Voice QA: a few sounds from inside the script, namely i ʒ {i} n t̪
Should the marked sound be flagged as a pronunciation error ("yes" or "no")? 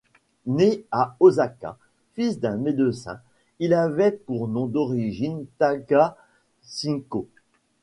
no